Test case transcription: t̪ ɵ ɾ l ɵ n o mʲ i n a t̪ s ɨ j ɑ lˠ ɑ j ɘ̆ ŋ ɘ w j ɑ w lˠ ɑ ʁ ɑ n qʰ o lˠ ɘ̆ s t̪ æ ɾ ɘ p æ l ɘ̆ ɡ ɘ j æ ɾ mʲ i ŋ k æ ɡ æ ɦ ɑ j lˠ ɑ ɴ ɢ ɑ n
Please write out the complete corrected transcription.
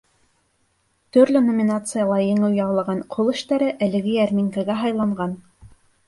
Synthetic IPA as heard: t̪ ɵ ɾ l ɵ n o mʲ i n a t̪ s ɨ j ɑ lˠ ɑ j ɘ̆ ŋ ɘ w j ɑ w lˠ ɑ ʁ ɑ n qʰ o lˠ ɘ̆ ʃ t̪ æ ɾ ɘ ʔ æ l ɘ̆ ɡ ɘ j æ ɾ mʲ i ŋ k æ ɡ æ ɦ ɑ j lˠ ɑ ɴ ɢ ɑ n